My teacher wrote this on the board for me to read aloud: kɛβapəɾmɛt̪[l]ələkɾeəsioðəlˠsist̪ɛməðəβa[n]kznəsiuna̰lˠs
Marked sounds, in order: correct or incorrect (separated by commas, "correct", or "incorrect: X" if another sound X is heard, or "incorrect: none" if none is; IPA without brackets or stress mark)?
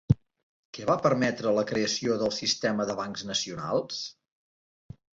incorrect: ɾ, incorrect: ŋ